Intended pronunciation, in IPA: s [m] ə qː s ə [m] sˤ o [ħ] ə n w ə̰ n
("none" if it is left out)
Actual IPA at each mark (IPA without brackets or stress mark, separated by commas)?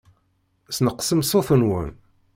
n, m, θ